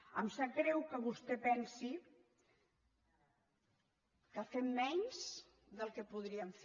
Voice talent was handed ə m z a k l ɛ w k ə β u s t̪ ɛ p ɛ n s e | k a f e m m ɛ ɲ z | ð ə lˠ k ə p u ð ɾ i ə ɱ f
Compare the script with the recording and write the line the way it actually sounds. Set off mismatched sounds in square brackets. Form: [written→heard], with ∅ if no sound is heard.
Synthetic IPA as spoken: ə m [z→s] a k [l→ɾ] ɛ w k ə β u s t̪ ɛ p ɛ n s [e→i] | k a f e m m ɛ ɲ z | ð ə lˠ k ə p u ð ɾ i ə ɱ f